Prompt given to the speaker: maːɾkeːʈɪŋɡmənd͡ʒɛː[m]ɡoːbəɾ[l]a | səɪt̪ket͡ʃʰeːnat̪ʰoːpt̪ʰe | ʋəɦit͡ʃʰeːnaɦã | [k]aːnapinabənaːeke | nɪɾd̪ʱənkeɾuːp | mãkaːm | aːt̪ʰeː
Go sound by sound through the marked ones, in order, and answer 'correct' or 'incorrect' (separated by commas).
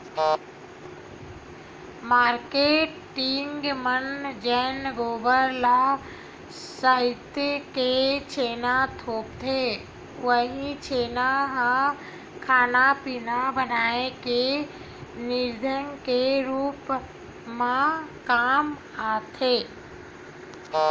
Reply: incorrect, correct, incorrect